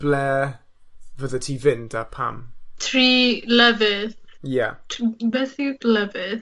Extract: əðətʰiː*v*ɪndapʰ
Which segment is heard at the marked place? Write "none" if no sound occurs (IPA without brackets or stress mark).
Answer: v